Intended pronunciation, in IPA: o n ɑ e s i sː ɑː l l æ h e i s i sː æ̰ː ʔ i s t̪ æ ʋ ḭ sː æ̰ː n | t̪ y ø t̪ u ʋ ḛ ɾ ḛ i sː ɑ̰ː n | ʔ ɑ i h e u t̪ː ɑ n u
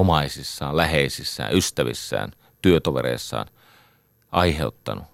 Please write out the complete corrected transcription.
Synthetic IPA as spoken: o m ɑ i s i sː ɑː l l æ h e i s i sː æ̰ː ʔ y s t̪ æ ʋ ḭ sː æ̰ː n | t̪ y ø t̪ o ʋ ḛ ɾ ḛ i sː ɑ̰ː n | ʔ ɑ i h e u t̪ː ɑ n u